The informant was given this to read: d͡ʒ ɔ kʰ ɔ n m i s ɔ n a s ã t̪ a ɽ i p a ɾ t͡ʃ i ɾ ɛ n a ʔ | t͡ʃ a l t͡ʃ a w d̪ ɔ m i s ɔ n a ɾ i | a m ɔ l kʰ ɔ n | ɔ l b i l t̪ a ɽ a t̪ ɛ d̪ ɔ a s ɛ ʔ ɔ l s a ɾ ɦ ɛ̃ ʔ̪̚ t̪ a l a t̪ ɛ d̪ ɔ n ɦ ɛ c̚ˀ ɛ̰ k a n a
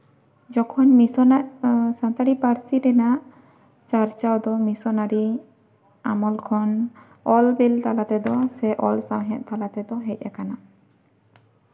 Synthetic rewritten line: d͡ʒ ɔ kʰ ɔ n m i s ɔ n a s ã t̪ a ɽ i p a ɾ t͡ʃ i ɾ ɛ n a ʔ | t͡ʃ a ɾ t͡ʃ a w d̪ ɔ m i s ɔ n a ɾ i | a m ɔ l kʰ ɔ n | ɔ l b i l t̪ a l a t̪ ɛ d̪ ɔ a s ɛ ʔ ɔ l s a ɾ ɦ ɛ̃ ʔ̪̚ t̪ a l a t̪ ɛ d̪ ɔ ɦ ɛ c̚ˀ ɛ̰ k a n a